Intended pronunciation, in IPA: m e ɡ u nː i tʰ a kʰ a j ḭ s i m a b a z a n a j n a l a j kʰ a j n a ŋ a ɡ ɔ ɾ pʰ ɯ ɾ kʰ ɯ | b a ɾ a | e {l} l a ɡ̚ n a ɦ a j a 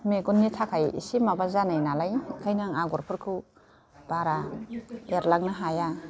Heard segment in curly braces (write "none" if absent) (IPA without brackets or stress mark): ɾ